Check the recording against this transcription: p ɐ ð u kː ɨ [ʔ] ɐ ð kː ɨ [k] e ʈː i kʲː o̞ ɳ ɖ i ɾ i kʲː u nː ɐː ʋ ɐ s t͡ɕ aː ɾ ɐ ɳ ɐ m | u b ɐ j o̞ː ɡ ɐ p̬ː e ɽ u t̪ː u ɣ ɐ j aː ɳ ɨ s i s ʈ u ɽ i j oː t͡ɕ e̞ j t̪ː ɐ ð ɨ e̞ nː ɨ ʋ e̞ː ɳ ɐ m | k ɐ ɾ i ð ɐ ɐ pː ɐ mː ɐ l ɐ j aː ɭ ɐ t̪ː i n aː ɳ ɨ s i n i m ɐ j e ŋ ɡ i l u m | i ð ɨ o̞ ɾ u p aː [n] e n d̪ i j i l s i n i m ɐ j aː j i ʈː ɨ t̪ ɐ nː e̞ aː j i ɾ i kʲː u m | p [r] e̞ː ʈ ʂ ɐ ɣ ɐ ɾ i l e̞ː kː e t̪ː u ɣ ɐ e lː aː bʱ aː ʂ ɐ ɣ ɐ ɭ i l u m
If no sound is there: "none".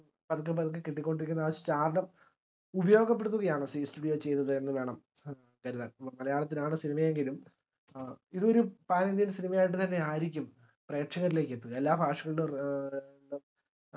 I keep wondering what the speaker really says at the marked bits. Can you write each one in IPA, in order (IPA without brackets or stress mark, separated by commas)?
p, k, n, r